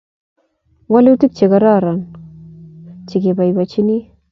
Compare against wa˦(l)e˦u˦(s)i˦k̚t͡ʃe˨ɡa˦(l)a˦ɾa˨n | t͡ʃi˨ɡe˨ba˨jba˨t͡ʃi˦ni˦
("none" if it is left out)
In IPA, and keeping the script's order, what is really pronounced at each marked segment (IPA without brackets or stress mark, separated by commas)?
l, t, ɾ